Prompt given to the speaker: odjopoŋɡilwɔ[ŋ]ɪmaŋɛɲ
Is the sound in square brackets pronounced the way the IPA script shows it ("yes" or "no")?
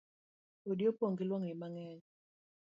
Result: yes